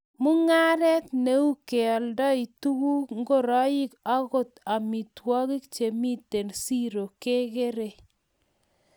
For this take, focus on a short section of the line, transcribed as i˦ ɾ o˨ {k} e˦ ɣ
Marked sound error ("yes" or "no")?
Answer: no